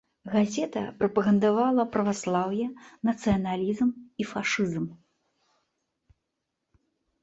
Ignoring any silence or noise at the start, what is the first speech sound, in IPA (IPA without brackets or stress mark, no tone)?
ɣ